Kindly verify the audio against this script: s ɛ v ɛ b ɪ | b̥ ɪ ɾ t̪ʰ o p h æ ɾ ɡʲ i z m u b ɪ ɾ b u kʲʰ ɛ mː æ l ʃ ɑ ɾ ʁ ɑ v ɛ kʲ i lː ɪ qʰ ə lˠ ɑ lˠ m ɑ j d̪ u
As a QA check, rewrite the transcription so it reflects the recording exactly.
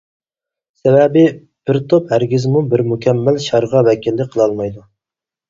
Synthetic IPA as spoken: s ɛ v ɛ b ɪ | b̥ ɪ ɾ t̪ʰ o p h æ ɾ ɡʲ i z m u b ɪ ɾ m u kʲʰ ɛ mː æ l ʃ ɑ ɾ ʁ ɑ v ɛ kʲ i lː ɪ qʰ ə lˠ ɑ lˠ m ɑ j d̪ u